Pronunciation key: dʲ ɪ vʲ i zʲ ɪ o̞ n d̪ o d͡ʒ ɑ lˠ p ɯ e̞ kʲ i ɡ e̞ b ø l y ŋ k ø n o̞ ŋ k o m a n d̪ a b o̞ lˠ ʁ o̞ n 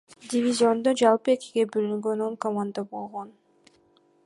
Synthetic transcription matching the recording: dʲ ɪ vʲ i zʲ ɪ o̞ n d̪ o d͡ʒ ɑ lˠ p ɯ e̞ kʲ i ɡ e̞ b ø l y ŋ ɡ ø n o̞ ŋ k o m a n d̪ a b o̞ lˠ ʁ o̞ n